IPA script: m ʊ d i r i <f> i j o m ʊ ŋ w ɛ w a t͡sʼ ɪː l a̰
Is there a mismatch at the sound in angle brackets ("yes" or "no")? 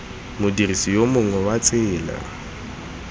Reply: yes